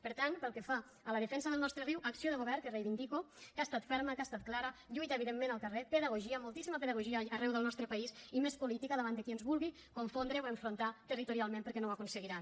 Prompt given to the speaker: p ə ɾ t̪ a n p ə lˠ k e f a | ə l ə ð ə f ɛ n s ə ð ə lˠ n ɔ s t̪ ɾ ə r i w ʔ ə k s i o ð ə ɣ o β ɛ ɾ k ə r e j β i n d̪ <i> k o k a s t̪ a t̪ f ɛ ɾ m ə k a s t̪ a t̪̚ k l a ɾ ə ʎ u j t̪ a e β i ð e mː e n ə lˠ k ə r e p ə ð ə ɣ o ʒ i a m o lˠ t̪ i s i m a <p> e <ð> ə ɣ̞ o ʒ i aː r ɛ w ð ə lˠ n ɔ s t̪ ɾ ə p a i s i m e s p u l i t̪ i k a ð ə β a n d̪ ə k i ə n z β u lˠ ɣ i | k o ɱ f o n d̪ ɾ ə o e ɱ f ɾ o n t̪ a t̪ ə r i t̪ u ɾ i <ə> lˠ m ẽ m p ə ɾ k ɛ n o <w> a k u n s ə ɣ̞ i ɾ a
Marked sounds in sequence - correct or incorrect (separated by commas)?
correct, correct, correct, incorrect, correct